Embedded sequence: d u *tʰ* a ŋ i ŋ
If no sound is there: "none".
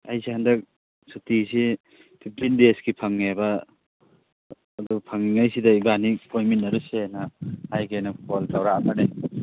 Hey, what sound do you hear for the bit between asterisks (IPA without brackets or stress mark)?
pʰ